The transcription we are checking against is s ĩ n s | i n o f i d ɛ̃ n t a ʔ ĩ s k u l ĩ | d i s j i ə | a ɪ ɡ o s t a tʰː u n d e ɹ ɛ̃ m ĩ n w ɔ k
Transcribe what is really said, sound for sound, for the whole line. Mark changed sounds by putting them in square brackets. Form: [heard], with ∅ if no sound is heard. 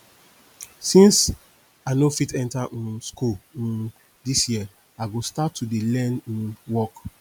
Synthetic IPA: s ĩ n s | [a] n o f i [t] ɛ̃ n t a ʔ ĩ s k u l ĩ | d i s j i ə | a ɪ ɡ o s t a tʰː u [∅] d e [l] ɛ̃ [n] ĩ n w ɔ k